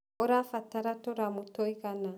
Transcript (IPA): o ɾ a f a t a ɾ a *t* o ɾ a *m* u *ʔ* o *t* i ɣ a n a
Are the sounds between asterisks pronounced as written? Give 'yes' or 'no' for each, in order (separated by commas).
yes, yes, no, no